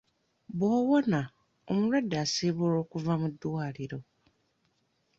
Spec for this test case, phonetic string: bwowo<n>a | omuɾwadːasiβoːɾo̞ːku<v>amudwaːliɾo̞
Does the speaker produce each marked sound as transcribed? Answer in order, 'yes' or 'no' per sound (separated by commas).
yes, yes